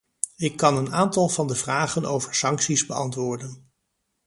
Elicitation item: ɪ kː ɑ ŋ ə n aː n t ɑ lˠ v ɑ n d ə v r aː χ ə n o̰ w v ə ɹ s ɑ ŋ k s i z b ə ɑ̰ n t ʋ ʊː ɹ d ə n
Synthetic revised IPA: ɪ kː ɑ n ə n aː n t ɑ lˠ v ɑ n d ə v r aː χ ə n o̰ w v ə ɹ s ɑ ŋ k s i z b ə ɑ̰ n t ʋ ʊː ɹ d ə n